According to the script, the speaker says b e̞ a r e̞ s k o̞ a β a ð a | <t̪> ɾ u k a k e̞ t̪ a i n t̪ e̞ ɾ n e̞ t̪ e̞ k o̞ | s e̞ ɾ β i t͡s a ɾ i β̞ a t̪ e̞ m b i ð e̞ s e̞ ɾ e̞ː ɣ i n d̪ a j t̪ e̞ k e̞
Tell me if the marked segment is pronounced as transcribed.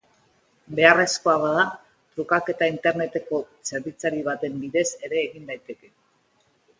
yes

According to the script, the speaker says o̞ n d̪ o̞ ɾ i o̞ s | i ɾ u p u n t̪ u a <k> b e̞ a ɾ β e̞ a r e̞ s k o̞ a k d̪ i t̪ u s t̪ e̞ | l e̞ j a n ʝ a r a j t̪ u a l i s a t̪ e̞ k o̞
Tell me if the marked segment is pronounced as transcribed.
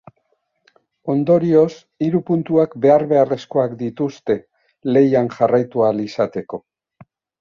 yes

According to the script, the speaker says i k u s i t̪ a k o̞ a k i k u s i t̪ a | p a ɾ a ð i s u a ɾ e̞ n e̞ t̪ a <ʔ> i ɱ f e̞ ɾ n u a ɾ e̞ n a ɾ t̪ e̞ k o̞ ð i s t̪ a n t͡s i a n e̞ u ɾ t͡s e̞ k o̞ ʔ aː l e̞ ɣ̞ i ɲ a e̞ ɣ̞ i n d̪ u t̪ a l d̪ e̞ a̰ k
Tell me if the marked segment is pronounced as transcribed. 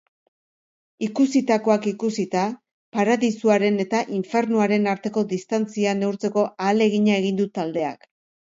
yes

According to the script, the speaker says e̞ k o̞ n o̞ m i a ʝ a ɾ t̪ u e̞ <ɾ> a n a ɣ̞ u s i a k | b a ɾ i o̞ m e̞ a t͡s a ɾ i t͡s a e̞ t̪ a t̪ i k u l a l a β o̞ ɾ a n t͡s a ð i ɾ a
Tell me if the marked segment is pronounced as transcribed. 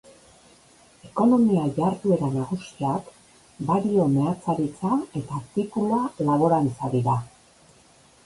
yes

